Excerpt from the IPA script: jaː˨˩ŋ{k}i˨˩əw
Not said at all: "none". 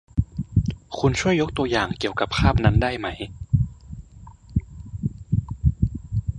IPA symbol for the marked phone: k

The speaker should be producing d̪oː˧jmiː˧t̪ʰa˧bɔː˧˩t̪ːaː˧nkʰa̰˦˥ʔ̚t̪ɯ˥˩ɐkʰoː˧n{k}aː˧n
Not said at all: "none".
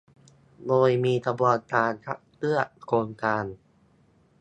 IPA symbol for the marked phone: k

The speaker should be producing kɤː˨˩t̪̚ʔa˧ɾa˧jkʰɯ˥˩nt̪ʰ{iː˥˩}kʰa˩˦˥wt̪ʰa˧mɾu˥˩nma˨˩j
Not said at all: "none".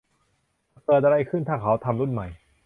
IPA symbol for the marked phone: aː˥˩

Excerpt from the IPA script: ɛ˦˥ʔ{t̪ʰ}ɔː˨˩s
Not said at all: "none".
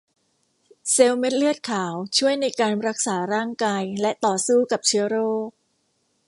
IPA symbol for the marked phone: t̪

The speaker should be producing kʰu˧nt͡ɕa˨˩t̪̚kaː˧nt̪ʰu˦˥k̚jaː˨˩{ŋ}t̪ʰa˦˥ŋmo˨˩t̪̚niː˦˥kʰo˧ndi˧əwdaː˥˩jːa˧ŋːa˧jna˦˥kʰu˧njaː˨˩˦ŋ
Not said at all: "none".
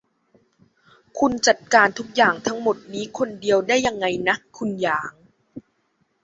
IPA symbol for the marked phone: ŋ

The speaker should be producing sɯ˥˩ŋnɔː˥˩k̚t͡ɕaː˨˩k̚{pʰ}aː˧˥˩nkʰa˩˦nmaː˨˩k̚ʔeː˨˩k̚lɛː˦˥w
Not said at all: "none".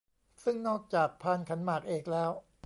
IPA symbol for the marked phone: pʰ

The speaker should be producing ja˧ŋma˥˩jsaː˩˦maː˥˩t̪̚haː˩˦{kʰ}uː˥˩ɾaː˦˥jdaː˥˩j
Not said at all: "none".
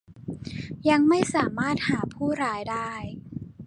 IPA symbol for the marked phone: pʰ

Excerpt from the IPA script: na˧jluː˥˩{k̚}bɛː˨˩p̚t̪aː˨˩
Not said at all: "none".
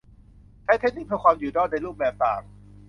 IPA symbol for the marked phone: p̚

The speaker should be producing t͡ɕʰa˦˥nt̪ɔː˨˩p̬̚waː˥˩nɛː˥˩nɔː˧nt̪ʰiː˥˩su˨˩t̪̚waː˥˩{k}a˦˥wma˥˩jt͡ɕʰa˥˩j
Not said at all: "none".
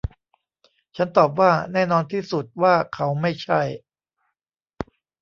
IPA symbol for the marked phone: kʰ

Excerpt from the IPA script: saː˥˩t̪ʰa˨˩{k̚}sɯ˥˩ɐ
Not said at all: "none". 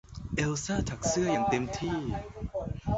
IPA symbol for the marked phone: k̚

